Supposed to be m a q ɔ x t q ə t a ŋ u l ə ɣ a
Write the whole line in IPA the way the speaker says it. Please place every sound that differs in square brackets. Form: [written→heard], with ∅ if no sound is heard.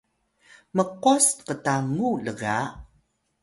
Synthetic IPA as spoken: m [a→ə] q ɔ [x→s] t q ə t a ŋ u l ə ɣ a